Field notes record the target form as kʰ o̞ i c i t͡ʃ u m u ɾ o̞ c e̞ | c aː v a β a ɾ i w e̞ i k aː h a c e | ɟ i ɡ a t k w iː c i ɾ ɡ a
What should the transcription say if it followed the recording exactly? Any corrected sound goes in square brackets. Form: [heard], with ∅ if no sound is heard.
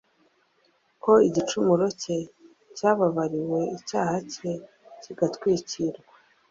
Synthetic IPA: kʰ o̞ i [ɟ] i t͡ʃ u m u ɾ o̞ c e̞ | c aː [β] a β a ɾ i w e̞ i [c] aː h a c e | [c] i ɡ a t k w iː c i ɾ ɡ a